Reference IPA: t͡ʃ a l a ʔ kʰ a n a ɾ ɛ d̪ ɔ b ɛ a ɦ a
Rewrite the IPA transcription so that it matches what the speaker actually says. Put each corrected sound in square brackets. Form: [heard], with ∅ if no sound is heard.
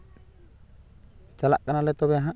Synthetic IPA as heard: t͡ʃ a l a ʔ [k] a n a [l] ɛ [t̪] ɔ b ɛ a ɦ a